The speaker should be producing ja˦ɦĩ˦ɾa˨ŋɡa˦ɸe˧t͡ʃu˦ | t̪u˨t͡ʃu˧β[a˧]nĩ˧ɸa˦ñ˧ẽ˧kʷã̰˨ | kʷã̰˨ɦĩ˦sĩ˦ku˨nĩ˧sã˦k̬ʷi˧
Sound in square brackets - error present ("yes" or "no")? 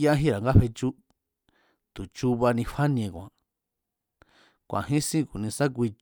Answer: no